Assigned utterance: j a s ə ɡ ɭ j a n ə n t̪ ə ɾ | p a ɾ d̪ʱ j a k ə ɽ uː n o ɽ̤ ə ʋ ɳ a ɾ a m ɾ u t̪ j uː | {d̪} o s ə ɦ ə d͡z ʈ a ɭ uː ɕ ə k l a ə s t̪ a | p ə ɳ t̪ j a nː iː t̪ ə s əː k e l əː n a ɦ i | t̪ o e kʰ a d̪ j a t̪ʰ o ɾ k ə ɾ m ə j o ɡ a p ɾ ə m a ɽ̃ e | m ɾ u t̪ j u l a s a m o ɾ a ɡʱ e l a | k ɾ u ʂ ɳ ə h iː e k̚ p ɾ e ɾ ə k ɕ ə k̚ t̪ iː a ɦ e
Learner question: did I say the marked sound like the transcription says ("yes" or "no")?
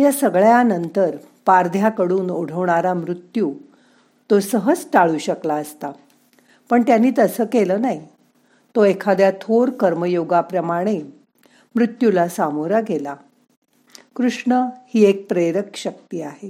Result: no